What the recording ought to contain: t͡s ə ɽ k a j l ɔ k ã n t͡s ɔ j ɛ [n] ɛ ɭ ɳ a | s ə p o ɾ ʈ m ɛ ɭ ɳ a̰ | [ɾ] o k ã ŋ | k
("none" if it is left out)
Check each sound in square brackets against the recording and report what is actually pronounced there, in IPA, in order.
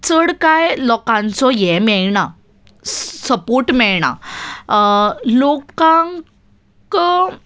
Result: m, l

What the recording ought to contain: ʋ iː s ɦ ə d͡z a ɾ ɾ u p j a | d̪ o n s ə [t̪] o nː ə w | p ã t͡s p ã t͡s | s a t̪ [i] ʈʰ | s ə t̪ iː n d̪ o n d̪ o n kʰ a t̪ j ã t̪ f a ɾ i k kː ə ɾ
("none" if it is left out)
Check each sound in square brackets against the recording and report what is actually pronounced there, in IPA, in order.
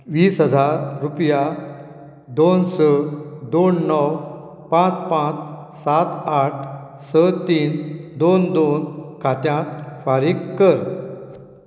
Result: d̪, a

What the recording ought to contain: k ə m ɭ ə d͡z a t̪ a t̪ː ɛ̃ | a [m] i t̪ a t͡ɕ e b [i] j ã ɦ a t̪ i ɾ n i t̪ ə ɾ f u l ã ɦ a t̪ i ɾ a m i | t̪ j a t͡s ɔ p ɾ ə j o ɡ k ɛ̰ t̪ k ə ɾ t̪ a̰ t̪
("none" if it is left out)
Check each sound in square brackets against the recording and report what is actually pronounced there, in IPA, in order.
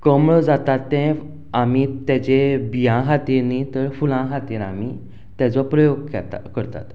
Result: m, i

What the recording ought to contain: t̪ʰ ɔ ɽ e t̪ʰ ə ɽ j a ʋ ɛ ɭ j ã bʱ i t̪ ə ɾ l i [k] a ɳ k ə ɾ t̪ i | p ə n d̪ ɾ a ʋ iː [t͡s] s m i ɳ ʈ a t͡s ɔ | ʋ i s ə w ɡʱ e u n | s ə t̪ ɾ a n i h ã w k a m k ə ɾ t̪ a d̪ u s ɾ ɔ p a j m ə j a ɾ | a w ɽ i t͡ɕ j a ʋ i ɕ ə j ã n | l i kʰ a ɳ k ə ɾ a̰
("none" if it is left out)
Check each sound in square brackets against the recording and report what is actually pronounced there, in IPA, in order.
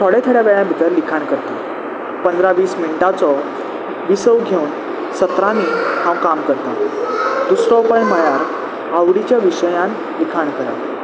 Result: kʰ, none

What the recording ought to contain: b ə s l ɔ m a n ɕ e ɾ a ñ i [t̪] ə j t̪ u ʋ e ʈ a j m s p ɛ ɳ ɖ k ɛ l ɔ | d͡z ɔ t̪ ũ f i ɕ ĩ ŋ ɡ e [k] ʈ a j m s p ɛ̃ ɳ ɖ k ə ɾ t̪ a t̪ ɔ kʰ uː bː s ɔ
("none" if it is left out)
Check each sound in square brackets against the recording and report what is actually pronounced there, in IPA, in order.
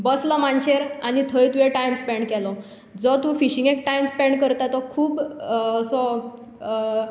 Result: t̪ʰ, k

